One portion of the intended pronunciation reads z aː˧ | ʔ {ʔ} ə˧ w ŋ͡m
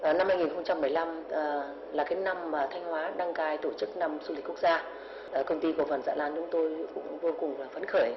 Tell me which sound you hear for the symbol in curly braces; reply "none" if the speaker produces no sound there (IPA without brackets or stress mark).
k